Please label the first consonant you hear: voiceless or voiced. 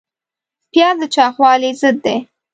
voiceless